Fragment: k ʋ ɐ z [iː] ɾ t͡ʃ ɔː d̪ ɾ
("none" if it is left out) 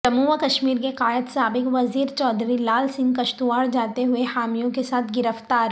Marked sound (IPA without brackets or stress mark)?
iː